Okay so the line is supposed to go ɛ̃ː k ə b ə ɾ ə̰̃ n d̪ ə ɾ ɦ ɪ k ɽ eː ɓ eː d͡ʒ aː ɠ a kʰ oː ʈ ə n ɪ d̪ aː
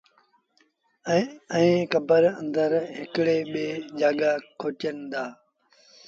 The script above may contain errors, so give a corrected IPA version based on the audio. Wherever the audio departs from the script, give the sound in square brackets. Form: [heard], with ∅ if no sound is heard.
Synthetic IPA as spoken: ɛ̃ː k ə b ə ɾ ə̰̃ n d̪ ə ɾ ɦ ɪ k ɽ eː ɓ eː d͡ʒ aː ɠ a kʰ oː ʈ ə n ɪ d̪ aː